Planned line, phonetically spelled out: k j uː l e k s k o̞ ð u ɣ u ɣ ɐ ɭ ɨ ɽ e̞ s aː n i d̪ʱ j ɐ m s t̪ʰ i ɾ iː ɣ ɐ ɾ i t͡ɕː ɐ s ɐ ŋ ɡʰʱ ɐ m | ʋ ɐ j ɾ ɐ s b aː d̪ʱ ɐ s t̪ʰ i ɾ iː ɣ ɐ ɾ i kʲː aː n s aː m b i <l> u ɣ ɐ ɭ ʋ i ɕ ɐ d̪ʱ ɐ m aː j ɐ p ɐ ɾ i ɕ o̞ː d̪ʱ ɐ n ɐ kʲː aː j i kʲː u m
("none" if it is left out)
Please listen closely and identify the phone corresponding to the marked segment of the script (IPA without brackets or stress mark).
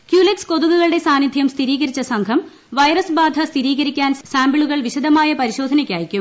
ɭ